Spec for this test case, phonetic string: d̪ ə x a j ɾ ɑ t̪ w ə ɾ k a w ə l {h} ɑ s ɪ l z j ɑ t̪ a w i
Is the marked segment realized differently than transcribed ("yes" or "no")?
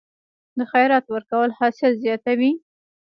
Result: no